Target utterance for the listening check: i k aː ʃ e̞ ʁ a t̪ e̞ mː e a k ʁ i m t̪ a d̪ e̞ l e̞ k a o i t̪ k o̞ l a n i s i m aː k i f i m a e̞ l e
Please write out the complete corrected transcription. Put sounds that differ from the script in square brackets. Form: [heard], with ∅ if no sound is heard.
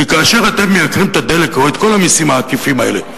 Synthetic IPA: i k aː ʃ e̞ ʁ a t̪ e̞ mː e a k ʁ i m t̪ a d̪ e̞ l e̞ k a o [e] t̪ k o̞ l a [m] i s i m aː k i f i m a e̞ l e